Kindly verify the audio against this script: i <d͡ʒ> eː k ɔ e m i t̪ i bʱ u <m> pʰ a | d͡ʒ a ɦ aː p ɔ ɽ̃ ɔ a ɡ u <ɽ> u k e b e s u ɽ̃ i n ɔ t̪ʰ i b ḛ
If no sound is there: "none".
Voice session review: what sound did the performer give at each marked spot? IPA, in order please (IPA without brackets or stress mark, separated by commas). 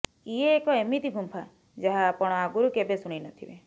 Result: none, m, ɾ